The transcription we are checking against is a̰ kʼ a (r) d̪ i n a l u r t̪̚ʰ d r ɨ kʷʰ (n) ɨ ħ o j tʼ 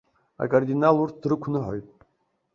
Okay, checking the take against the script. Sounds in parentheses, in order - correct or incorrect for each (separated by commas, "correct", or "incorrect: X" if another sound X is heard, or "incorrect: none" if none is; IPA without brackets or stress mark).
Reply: correct, correct